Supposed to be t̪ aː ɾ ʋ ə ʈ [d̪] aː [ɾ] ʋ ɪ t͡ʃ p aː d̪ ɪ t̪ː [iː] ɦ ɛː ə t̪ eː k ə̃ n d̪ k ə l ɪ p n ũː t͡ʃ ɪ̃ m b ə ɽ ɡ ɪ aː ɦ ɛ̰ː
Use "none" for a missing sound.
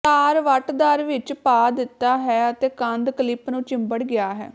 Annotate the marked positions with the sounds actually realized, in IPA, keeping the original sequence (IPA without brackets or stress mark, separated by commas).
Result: d̪, ɾ, aː